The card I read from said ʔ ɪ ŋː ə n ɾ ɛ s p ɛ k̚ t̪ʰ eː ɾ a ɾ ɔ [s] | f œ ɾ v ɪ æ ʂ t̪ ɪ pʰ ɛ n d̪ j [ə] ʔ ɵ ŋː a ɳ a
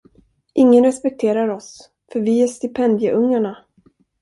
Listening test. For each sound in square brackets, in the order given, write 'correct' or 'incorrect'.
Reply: correct, correct

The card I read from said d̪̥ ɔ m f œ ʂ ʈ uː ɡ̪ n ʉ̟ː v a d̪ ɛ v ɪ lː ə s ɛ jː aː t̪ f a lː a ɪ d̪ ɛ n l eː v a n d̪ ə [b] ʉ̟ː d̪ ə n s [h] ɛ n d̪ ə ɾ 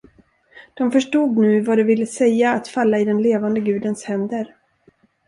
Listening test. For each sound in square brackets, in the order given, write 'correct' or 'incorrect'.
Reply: incorrect: ɡ, correct

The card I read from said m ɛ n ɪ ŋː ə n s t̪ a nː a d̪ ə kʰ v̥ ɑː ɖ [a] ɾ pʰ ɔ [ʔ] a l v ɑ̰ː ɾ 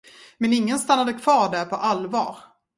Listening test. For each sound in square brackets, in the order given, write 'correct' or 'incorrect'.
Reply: incorrect: æ, correct

